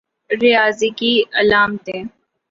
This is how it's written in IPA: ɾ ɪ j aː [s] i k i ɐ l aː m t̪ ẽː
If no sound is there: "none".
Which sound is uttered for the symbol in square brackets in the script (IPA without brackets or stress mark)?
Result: z